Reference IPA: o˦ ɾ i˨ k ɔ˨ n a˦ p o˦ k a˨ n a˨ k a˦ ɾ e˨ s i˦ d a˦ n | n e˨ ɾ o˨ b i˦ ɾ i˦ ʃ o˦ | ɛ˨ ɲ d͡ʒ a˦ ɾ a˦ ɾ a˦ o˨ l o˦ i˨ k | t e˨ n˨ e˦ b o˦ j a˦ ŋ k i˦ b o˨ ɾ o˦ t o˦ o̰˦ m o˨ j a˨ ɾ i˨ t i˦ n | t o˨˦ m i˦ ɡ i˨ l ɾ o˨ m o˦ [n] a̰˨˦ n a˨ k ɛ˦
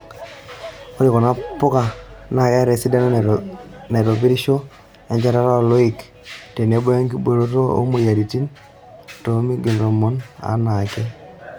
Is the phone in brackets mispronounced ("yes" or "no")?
no